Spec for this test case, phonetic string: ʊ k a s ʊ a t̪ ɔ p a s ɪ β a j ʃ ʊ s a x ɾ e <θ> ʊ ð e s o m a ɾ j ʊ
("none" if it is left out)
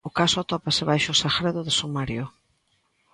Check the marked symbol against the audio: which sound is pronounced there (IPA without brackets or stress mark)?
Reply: ð